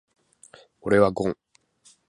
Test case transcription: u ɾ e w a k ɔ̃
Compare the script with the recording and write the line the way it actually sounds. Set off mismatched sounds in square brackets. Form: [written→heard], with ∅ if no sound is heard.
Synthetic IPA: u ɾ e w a [k→ɡ] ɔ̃